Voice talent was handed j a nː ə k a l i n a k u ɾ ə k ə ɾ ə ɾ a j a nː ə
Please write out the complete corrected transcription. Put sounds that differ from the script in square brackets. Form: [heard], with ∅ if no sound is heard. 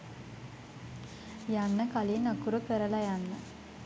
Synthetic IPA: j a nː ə k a l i n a k u ɾ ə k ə ɾ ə [l] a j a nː ə

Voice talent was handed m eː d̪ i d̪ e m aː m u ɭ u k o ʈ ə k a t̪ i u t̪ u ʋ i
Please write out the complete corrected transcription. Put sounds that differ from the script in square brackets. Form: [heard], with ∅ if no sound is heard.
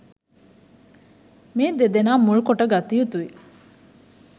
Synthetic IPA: m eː d̪ [e] d̪ e [n] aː m u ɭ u k o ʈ ə [ɡ] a t̪ i u t̪ u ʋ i

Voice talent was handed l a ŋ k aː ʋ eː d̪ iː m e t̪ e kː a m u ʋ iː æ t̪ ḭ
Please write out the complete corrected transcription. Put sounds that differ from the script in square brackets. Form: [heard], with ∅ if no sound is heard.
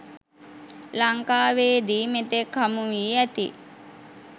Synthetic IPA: l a ŋ k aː ʋ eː d̪ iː m e t̪ e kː a m u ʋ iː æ t̪ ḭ

